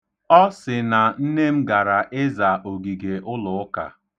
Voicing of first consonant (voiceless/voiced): voiceless